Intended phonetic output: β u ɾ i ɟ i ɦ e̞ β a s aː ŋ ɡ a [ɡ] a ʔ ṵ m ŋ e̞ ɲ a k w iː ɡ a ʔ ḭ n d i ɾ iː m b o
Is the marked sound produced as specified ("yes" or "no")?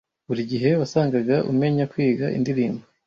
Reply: yes